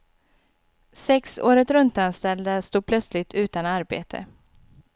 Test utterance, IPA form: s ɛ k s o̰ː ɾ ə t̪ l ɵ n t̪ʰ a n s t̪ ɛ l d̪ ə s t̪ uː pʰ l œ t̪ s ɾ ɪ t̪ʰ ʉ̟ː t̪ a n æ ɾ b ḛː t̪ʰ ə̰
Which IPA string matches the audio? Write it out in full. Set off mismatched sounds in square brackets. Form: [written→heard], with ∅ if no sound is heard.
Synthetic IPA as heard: s ɛ k s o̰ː ɾ ə t̪ [l→ɾ] ɵ n [t̪ʰ→t̪] a n s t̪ ɛ l d̪ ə s t̪ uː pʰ l œ t̪ s [ɾ→l] ɪ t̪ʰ ʉ̟ː t̪ a n [æ→a] ɾ b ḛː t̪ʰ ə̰